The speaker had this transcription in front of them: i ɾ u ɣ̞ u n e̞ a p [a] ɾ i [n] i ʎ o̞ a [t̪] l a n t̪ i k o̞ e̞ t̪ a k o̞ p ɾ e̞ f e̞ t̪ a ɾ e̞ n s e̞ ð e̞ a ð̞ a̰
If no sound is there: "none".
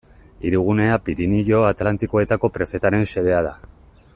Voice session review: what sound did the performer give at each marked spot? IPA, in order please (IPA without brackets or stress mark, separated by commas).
i, n, t̪